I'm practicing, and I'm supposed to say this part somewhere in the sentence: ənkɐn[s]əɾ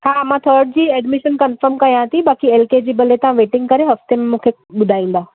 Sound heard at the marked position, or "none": f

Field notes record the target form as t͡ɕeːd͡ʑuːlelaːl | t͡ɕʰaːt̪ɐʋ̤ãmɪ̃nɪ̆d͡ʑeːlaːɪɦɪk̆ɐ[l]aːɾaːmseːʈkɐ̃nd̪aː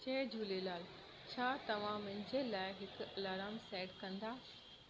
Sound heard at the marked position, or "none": l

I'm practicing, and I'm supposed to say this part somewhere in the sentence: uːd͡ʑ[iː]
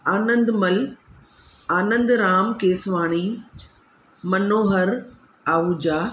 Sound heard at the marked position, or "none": aː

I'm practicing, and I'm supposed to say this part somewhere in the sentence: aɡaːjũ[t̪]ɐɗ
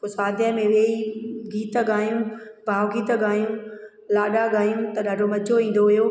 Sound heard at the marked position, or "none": t̪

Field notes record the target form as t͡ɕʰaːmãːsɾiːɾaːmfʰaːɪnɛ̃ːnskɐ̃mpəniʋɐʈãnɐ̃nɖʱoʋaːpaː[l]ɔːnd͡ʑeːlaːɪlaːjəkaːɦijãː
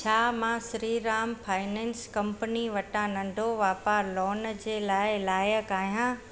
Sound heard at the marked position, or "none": l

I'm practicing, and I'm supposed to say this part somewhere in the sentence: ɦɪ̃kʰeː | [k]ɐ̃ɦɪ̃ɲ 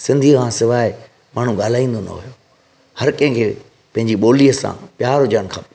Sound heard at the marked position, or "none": p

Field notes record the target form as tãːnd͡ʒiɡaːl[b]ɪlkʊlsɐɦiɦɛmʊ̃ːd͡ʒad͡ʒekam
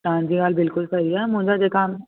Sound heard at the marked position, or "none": b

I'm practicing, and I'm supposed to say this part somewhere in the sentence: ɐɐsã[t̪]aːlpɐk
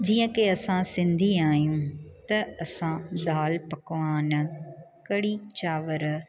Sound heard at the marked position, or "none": d̪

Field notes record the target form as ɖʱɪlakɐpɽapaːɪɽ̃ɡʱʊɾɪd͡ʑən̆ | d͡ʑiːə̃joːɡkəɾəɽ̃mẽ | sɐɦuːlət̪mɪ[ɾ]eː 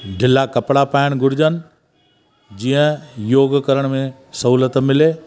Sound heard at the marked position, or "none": l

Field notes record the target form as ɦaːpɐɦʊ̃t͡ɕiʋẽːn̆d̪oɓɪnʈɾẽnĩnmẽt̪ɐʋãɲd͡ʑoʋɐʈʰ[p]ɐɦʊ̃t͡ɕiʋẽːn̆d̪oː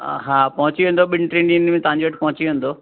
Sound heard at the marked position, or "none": p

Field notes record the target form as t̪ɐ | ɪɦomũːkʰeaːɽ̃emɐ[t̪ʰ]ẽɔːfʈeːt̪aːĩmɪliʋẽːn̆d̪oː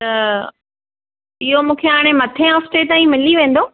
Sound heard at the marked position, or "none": t̪ʰ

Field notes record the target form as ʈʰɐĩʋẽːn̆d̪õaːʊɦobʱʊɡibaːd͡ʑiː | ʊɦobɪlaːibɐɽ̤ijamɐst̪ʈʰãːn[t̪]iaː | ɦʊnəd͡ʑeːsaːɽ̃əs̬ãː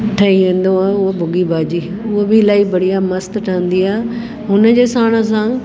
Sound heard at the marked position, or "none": d̪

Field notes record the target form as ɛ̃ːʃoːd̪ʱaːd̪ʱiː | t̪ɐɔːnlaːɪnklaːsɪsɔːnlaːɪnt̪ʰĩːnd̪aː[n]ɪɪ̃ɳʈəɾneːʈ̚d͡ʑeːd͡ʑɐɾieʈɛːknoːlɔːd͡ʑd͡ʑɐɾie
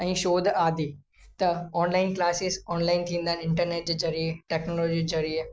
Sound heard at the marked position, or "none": n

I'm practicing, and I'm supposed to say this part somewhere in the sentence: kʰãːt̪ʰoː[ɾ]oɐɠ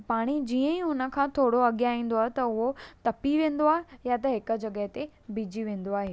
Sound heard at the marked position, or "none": ɽ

